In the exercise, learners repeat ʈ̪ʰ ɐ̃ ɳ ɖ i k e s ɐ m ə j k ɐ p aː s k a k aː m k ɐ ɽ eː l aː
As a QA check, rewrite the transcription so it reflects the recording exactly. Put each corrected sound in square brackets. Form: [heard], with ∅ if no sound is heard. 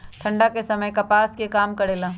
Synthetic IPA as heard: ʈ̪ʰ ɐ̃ ɳ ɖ [a] k e s ɐ m ə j k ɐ p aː s k [e] k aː m k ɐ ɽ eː l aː